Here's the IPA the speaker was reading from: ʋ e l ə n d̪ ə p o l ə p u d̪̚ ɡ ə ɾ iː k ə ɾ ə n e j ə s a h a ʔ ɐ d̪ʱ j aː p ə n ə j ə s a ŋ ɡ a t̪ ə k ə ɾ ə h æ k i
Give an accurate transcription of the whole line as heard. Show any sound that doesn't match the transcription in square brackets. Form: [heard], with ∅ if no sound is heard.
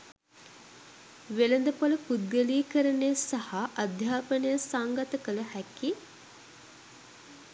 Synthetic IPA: ʋ e l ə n d̪ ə p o l ə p u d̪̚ ɡ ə [l] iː k ə ɾ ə n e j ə s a h a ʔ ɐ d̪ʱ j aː p ə n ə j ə s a ŋ ɡ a t̪ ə k ə [l] ə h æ k i